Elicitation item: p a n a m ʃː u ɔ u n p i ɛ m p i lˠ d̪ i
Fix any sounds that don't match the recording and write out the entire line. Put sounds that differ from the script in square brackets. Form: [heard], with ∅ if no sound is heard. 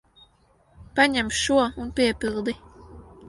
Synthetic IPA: p a [ɲ] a m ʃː u ɔ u n p i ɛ [∅] p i lˠ d̪ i